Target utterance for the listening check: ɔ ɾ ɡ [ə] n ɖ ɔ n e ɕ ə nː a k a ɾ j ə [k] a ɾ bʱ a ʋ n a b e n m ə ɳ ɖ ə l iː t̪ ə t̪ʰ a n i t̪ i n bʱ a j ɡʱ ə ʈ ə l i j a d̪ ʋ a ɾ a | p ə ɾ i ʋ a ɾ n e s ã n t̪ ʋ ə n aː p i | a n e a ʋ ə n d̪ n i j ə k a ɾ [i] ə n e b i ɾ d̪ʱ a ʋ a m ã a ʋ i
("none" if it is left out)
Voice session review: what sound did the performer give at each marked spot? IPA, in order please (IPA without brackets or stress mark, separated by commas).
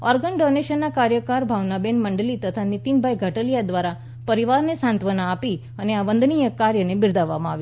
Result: ə, k, j